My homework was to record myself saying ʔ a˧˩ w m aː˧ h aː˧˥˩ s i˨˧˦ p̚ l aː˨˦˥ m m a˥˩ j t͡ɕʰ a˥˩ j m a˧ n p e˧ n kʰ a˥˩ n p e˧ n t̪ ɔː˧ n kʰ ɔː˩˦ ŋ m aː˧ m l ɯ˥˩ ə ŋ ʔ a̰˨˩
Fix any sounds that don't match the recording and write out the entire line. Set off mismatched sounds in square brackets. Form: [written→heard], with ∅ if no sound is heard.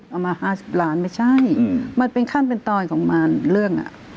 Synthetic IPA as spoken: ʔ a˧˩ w m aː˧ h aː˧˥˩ s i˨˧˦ p̚ l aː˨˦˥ [m→n] m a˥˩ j t͡ɕʰ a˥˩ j m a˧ n p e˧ n kʰ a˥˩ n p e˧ n t̪ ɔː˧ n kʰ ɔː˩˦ ŋ m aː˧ [m→n] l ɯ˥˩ ə ŋ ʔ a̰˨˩